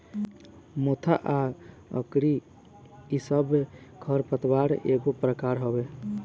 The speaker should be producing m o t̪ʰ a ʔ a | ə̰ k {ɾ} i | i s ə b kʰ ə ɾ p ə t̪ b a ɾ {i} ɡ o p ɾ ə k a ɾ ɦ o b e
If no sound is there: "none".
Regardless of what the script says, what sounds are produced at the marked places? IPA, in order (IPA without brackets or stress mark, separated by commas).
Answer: ɾ, e